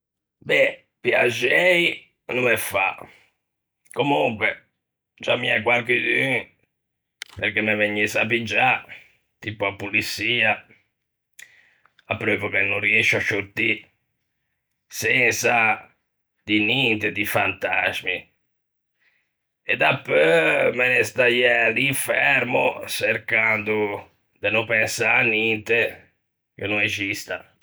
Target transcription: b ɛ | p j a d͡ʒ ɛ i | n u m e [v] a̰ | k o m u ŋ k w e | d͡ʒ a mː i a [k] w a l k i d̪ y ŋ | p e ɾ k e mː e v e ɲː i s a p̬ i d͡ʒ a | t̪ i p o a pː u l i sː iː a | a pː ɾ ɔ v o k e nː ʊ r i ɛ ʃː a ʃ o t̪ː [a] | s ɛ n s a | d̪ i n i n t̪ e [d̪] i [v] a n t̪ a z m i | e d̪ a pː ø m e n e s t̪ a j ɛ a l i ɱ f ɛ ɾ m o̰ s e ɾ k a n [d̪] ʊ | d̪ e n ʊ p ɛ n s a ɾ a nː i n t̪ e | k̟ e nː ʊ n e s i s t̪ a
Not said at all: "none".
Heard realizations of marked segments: f, k, i, d̪, f, d̪

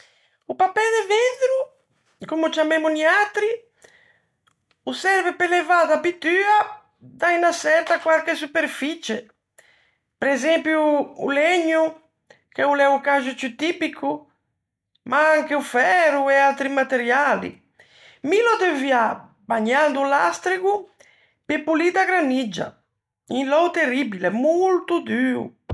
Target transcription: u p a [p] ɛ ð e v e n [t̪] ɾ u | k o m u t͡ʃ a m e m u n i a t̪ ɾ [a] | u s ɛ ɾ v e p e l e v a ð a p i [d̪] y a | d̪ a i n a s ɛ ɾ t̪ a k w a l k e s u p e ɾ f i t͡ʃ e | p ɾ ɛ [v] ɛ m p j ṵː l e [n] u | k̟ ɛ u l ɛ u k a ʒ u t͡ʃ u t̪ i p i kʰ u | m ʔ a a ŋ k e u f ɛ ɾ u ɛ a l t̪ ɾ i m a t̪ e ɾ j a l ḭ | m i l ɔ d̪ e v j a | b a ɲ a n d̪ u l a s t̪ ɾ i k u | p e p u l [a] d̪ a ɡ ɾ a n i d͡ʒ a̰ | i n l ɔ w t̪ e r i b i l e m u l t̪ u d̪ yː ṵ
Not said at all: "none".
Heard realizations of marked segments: p, d̪, i, t̪, z, ɲ, i

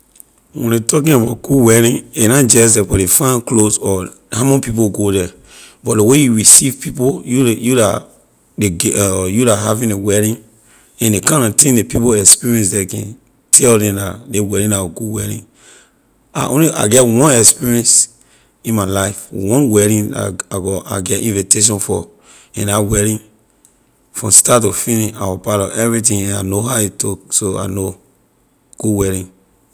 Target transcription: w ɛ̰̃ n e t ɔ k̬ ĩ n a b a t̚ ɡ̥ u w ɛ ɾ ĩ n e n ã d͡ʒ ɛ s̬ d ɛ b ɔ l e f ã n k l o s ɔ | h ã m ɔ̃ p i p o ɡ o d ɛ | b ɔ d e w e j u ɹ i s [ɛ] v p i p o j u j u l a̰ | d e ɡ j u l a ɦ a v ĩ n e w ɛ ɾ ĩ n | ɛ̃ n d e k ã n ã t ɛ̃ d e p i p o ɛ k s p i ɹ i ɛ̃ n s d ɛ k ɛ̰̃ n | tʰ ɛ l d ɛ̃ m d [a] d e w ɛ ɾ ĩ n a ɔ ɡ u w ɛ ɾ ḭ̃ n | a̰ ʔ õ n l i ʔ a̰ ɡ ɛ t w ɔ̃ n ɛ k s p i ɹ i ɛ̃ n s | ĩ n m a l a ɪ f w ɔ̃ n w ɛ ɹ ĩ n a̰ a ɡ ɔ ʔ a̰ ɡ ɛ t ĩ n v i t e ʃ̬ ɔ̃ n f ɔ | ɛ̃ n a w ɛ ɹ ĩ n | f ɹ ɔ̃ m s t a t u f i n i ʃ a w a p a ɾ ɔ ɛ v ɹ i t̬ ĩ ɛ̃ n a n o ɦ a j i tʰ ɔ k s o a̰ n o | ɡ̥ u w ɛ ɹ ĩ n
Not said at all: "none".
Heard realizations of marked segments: i, a

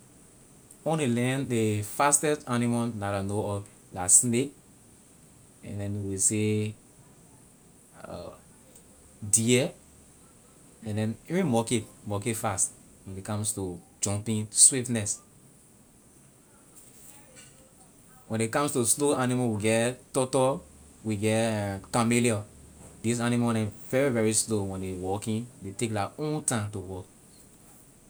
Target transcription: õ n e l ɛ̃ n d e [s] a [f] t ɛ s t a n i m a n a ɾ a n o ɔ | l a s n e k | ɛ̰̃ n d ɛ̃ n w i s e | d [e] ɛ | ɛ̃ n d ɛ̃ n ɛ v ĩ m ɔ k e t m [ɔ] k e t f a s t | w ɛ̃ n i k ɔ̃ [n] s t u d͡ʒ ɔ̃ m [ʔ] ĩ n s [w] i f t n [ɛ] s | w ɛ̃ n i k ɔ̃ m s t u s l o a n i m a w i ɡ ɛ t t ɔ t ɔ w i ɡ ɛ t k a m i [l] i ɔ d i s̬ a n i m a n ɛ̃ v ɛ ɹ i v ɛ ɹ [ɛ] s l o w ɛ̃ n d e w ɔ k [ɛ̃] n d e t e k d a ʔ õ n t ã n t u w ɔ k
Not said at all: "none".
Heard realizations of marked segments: f, s, i, ɔ, m, p, w, ɛ, l, i, ĩ

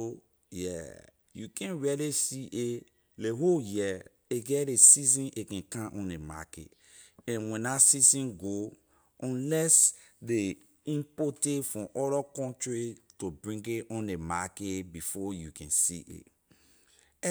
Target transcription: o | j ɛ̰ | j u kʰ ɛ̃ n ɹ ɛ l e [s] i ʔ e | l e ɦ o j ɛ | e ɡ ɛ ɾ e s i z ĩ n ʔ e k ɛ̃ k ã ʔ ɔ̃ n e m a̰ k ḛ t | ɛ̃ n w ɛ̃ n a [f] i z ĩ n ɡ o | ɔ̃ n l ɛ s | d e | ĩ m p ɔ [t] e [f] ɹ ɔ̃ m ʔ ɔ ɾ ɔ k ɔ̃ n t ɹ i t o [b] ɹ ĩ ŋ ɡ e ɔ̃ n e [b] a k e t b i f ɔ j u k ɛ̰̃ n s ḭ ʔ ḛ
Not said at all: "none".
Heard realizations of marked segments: s, s, t, f, b, m

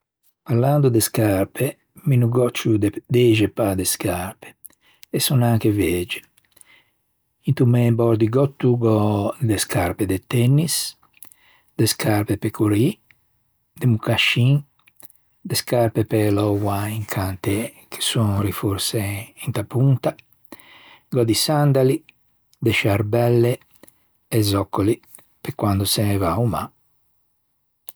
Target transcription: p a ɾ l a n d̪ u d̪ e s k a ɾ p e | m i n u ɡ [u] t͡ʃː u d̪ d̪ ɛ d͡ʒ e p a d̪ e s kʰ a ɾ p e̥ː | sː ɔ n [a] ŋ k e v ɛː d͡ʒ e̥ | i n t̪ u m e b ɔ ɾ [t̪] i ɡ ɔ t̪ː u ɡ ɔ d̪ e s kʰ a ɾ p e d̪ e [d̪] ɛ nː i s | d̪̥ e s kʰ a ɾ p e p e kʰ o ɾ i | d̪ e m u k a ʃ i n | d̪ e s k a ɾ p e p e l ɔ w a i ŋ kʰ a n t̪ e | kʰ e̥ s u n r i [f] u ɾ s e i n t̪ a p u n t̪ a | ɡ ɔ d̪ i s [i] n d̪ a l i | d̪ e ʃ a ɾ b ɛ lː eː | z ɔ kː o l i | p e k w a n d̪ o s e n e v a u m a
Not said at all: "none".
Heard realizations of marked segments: ɔ, a, d̪, t̪, f, a

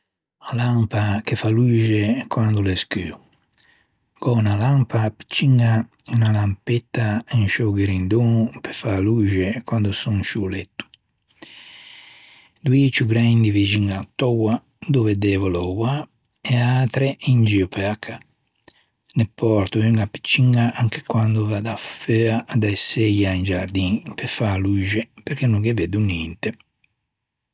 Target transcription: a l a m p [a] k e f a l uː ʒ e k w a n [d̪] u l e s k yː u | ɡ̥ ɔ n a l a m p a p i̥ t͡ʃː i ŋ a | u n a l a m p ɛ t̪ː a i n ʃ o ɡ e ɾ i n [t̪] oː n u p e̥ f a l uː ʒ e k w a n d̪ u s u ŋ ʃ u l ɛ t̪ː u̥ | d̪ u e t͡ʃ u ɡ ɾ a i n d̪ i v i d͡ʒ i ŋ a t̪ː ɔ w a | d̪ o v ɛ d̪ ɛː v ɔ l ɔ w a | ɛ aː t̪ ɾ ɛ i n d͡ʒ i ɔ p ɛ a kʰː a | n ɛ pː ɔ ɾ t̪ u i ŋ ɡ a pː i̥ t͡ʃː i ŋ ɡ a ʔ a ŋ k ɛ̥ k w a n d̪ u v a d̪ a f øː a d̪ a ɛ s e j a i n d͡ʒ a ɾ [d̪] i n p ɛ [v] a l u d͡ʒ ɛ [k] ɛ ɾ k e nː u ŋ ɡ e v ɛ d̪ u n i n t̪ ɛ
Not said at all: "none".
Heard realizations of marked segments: a, d̪, d̪, d̪, f, p

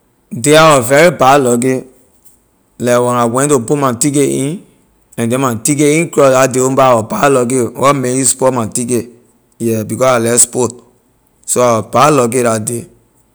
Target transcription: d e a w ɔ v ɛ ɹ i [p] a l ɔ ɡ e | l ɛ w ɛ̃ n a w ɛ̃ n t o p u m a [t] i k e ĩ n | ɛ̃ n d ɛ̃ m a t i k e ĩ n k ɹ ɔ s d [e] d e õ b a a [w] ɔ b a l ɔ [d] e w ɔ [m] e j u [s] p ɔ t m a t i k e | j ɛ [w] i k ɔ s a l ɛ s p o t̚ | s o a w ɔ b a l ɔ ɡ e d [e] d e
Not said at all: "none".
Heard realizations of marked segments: b, t, a, w, ɡ, m, s, b, a

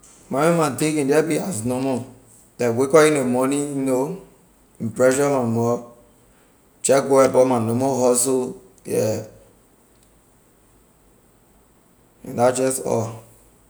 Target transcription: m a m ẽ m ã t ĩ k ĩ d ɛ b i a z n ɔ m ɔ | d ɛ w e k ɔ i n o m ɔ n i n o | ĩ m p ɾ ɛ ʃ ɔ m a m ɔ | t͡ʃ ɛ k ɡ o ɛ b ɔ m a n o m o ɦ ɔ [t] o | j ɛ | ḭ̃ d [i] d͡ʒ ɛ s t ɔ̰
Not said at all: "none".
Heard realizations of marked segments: s, a

